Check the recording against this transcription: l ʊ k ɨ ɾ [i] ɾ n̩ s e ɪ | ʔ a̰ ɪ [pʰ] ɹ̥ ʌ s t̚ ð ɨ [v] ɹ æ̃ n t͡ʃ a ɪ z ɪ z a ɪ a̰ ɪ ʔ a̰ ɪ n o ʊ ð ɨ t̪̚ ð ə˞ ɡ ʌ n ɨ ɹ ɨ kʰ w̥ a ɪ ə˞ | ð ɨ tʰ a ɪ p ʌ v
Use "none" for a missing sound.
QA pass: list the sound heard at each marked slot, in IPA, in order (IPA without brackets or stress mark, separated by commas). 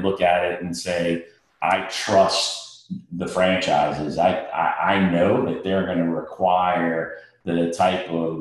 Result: ɪ, tʰ, f